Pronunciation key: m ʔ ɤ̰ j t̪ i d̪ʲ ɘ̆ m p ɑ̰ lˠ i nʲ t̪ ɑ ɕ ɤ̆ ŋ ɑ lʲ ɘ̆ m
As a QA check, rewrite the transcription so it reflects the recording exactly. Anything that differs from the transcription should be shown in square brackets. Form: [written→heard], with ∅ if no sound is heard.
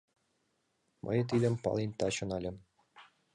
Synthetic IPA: m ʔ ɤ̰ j t̪ i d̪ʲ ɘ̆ m p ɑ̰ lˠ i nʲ t̪ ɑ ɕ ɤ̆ [ŋ→n] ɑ lʲ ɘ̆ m